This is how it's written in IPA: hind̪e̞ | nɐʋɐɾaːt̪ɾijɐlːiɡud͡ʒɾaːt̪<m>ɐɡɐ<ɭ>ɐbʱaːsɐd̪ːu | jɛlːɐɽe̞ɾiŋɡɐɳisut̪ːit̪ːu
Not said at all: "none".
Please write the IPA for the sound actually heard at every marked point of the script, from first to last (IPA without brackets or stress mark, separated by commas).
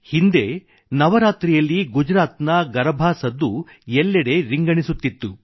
n, ɾ